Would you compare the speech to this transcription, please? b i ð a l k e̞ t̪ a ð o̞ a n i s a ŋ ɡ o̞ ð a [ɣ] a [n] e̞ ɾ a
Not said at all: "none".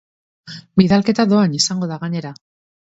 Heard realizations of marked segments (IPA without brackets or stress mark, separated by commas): ɣ, ɲ